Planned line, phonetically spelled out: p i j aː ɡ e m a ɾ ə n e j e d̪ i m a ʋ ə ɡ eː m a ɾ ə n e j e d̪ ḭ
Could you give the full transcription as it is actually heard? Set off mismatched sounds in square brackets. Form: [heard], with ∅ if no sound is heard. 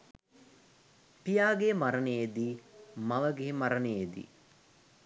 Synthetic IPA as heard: p i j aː ɡ e m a ɾ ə n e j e d̪ i m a ʋ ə ɡ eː m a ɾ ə n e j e d̪ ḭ